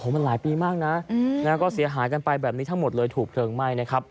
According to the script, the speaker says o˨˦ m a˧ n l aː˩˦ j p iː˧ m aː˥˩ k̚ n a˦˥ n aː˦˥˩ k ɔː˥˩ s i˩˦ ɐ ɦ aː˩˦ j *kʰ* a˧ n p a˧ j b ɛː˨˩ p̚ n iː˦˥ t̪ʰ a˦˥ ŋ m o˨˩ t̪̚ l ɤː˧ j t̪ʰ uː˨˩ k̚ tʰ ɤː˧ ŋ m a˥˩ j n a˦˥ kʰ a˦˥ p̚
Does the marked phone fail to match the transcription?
yes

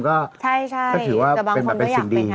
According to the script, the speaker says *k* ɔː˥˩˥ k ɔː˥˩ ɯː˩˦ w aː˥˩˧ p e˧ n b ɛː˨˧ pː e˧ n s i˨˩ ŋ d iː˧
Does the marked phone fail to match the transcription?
no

